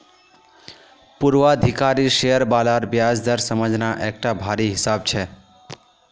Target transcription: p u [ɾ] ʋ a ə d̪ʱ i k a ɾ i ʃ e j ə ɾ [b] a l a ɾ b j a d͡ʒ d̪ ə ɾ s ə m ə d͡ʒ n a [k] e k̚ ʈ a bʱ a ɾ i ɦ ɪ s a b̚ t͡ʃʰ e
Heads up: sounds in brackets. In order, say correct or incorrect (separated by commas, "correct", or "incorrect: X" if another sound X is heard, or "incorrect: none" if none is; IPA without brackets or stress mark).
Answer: correct, correct, incorrect: ʔ